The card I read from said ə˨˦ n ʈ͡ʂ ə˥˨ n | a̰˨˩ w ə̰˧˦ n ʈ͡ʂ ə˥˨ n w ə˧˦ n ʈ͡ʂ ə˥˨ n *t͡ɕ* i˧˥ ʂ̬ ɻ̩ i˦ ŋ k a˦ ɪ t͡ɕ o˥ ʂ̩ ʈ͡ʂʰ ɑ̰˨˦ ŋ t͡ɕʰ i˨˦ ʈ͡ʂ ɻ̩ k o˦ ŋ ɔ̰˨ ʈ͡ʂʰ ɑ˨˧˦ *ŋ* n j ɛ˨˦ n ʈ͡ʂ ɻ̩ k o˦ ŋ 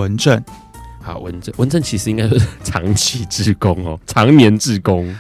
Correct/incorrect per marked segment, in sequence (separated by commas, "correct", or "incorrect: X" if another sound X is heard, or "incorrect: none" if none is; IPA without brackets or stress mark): incorrect: t͡ɕʰ, correct